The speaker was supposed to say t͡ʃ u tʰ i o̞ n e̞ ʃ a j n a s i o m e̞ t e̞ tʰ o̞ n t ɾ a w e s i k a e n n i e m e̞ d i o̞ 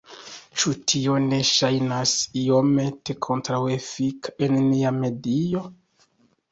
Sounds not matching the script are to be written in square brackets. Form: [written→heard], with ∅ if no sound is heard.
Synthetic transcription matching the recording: t͡ʃ u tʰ i o̞ n e̞ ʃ a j n a s i o m e̞ t e̞ [tʰ→kʰ] o̞ n t ɾ a w e [s→f] i k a e n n i [e→a] m e̞ d i o̞